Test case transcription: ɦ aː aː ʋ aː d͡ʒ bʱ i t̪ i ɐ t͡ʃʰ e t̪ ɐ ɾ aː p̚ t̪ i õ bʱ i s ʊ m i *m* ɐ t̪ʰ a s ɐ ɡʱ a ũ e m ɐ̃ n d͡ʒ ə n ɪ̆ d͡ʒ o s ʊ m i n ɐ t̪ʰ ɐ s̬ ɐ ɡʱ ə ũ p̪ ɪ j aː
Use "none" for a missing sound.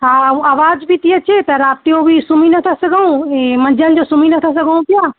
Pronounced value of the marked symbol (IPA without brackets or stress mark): n